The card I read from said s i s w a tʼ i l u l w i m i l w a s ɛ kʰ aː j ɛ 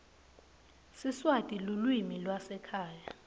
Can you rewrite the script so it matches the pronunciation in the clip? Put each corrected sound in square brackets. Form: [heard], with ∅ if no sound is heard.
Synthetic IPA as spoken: s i s w a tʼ i l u l w i m i l w a s ɛ kʰ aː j [a]